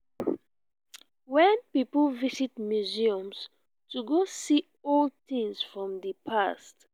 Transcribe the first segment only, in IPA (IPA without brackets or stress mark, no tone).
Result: w